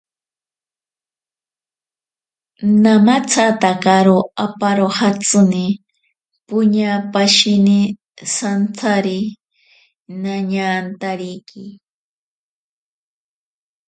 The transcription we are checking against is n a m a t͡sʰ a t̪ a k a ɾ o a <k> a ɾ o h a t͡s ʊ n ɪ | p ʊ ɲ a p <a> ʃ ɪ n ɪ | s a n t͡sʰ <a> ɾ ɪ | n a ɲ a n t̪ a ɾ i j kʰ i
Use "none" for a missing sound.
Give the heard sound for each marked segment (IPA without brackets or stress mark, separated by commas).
p, a, a